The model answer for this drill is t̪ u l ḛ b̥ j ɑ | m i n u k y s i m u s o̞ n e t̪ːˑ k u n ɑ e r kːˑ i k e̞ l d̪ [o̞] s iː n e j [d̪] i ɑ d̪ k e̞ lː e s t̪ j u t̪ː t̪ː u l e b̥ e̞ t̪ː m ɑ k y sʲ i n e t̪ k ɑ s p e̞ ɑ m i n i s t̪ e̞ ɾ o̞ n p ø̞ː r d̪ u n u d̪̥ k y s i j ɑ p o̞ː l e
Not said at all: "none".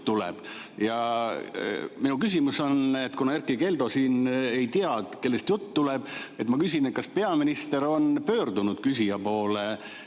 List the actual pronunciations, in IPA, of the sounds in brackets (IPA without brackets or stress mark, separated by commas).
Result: o̞, t̪